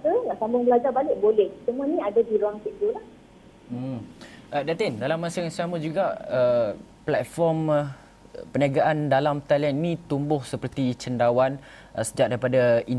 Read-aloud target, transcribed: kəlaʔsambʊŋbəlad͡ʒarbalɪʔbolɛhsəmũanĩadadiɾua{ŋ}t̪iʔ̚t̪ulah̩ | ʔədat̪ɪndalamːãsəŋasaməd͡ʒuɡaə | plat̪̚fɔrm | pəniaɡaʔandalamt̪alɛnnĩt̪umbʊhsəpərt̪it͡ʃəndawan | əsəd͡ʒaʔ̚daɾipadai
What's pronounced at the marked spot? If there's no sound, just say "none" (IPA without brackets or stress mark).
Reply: ŋ